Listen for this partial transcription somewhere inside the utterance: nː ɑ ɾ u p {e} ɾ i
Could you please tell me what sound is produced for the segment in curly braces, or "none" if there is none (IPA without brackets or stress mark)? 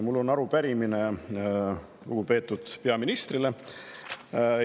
æ